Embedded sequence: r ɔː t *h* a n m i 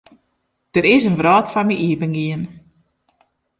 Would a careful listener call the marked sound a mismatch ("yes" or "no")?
yes